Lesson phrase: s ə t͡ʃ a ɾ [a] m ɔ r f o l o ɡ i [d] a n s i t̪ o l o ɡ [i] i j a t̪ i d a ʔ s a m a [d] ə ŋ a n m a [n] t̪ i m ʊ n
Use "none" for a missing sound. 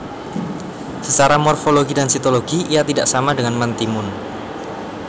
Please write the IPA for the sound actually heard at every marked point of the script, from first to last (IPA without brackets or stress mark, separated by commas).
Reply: a, d, i, d, n